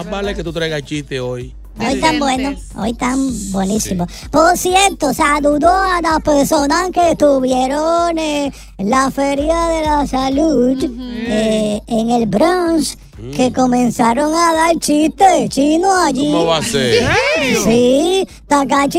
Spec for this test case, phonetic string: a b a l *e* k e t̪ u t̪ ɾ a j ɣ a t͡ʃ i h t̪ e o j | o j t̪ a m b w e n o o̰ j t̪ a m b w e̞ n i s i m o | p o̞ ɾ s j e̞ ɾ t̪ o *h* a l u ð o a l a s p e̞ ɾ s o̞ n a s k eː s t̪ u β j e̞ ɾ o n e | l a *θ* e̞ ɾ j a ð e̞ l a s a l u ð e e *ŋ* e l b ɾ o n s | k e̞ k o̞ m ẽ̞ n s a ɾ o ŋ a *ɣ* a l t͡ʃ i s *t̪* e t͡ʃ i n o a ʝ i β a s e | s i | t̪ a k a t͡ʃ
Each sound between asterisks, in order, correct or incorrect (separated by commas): correct, incorrect, incorrect, correct, incorrect, correct